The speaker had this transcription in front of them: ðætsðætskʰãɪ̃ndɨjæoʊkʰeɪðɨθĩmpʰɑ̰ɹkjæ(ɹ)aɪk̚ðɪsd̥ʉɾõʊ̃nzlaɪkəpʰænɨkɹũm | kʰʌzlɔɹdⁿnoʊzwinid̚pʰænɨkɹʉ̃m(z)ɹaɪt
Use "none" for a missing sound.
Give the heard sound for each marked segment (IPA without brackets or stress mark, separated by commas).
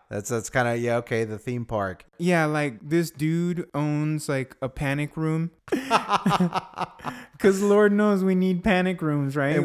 l, z